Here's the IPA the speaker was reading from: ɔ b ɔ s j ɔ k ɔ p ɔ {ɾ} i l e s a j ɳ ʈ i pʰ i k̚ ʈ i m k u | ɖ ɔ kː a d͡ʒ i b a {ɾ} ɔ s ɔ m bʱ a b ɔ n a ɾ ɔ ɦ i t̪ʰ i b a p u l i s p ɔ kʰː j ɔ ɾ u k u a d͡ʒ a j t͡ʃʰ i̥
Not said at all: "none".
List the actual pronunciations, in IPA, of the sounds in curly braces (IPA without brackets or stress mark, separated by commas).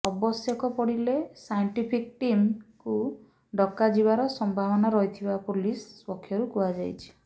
ɽ, ɾ